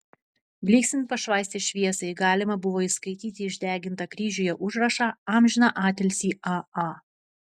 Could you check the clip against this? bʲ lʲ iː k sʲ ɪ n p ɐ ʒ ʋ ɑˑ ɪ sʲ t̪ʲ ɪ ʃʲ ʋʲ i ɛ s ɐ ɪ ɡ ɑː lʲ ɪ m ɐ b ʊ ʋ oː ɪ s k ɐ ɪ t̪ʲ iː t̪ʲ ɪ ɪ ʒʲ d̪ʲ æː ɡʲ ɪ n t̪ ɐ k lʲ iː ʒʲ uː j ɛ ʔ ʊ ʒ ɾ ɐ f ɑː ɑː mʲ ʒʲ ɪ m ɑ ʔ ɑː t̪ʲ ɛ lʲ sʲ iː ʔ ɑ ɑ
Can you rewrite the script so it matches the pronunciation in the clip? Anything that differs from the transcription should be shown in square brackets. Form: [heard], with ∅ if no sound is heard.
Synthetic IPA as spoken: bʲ lʲ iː k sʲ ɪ n p ɐ [ʃ] ʋ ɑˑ ɪ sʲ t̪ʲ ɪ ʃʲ ʋʲ i ɛ s ɐ ɪ ɡ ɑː lʲ ɪ m ɐ b ʊ ʋ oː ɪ s k ɐ ɪ t̪ʲ iː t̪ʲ ɪ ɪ ʒʲ d̪ʲ æː ɡʲ ɪ n t̪ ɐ k [ɾʲ] iː ʒʲ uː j ɛ ʔ ʊ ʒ ɾ ɐ [ʃ] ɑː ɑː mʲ ʒʲ ɪ [n] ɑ ʔ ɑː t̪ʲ ɛ lʲ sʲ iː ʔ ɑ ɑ